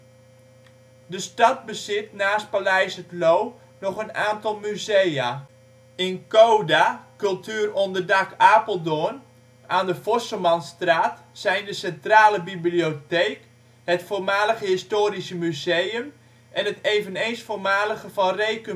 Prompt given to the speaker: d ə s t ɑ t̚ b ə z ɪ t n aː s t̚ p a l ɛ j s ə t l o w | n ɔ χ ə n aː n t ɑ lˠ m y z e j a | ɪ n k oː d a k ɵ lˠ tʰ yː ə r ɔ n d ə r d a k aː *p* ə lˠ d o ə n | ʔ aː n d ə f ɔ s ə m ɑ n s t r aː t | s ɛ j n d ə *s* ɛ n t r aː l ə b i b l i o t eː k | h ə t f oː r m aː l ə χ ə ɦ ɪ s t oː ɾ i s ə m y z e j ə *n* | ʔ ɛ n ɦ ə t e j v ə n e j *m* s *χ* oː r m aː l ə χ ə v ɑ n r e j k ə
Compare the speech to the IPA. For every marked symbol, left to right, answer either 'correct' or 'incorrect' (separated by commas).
correct, correct, incorrect, incorrect, incorrect